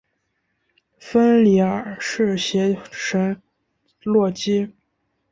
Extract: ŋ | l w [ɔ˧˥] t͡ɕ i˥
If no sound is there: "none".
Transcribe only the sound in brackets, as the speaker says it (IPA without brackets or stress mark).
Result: ɔ˥˩